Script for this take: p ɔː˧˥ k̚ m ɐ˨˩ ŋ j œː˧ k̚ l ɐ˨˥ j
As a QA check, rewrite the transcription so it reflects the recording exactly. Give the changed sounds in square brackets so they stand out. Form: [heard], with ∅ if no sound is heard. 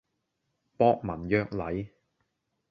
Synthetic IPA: p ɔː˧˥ k̚ m ɐ˨˩ [n] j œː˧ k̚ l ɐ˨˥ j

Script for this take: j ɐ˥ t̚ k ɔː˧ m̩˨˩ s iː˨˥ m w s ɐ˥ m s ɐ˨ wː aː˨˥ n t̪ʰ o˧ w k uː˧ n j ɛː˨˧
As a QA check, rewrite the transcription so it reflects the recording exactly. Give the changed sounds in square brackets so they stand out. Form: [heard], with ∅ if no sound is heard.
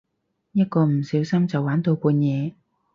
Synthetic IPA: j ɐ˥ t̚ k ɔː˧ m̩˨˩ s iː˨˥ [∅] w s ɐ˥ m [t͡s] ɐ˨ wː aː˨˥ n [t̪] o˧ w k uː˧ n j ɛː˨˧

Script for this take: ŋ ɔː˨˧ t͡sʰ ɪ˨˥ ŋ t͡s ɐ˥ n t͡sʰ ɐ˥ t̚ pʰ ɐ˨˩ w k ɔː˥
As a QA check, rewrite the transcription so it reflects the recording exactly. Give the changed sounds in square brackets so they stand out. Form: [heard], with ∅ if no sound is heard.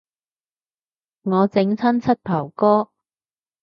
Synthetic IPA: ŋ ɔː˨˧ [t͡s] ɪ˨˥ ŋ [t͡sʰ] ɐ˥ n t͡sʰ ɐ˥ t̚ pʰ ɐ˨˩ w k ɔː˥

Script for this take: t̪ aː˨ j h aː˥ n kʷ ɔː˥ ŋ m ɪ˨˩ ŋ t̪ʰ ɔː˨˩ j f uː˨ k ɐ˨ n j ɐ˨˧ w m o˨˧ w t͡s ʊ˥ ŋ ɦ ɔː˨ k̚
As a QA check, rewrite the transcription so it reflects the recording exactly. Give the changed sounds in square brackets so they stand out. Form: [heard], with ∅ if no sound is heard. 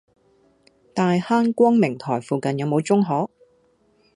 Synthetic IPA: t̪ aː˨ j h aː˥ n kʷ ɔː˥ ŋ m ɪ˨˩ ŋ t̪ʰ ɔː˨˩ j f uː˨ k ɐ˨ n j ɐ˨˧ w m o˨˧ w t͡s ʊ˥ ŋ ɦ [ɔː˨˥] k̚

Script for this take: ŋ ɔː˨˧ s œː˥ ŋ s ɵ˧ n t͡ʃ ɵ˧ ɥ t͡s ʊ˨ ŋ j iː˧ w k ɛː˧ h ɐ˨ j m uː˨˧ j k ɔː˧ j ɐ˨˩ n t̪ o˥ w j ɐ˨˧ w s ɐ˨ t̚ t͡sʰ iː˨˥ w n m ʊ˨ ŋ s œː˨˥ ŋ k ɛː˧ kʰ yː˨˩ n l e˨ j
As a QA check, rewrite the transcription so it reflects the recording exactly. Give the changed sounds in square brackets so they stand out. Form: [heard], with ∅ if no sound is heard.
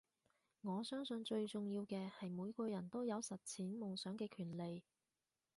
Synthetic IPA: ŋ ɔː˨˧ s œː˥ ŋ s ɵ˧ n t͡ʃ ɵ˧ ɥ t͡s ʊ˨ ŋ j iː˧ w k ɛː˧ h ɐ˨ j m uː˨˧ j k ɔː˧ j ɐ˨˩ n t̪ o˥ w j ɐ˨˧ w s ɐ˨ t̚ t͡sʰ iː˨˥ [∅] n m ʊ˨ ŋ s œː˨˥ ŋ k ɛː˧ kʰ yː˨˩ n l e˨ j

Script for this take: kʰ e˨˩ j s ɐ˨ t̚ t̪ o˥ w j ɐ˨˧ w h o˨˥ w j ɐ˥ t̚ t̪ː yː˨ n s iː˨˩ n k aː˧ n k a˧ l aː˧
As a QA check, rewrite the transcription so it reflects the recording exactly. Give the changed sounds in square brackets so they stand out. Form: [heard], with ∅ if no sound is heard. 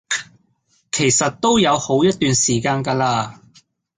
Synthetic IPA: kʰ e˨˩ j s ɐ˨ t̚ t̪ o˥ w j ɐ˨˧ w h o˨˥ w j ɐ˥ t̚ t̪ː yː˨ n s iː˨˩ [∅] k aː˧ n k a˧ l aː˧

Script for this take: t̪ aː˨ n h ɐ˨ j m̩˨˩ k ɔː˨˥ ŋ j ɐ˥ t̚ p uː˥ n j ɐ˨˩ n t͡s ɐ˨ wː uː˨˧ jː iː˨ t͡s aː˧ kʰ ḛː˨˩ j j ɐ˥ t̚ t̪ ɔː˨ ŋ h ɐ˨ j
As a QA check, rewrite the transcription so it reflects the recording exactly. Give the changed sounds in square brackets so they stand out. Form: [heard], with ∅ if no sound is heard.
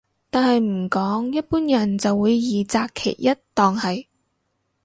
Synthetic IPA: t̪ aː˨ n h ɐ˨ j m̩˨˩ k ɔː˨˥ ŋ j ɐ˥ t̚ p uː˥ n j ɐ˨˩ n t͡s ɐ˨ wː uː˨˧ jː iː˨ t͡s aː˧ kʰ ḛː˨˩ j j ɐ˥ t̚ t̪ ɔː˨ ŋ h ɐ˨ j

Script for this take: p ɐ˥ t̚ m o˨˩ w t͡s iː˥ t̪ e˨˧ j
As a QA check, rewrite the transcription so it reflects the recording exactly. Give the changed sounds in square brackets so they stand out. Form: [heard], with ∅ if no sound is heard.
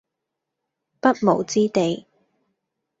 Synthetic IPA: p ɐ˥ t̚ m o˨˩ w t͡s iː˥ t̪ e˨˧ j

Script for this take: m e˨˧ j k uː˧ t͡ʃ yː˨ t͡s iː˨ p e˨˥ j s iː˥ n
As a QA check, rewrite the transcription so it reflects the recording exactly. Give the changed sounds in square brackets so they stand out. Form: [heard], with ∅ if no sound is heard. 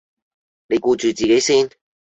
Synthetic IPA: [n] e˨˧ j k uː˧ t͡ʃ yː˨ t͡s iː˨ [k] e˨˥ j s iː˥ n

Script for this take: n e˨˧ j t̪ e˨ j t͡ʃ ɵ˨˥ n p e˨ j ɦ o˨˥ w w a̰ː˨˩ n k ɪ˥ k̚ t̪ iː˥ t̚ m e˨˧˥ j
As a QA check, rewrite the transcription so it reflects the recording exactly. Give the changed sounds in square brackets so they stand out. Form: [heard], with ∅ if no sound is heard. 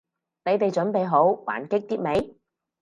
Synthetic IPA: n e˨˧ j t̪ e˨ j t͡ʃ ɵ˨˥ n p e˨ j ɦ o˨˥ w w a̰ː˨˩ n k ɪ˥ k̚ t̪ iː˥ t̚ m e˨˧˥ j

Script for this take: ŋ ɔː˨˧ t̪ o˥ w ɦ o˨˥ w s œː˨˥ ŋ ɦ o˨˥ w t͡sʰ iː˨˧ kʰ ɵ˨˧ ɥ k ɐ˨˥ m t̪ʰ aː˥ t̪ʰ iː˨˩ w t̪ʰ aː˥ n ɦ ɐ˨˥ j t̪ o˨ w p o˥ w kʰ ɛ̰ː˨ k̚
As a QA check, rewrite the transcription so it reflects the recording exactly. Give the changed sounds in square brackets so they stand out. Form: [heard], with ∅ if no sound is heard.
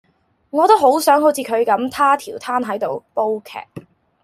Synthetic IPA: ŋ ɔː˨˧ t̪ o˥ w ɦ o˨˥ w s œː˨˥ ŋ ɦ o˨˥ w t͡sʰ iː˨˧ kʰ ɵ˨˧ ɥ k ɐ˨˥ m t̪ʰ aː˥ t̪ʰ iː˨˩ w t̪ʰ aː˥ n ɦ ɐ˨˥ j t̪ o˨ w p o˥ w kʰ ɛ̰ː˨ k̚

